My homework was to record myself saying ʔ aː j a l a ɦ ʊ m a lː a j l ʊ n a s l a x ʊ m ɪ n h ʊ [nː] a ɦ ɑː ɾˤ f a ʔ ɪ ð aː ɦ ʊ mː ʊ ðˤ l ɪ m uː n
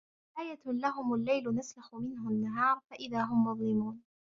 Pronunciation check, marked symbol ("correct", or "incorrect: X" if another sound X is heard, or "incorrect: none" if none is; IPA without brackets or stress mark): correct